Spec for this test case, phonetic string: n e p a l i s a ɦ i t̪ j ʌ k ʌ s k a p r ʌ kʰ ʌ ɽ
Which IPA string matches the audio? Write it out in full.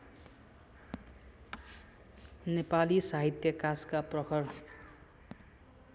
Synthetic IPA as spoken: n e p a l i s a ɦ i t̪ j ʌ k a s k a p r ʌ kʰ ʌ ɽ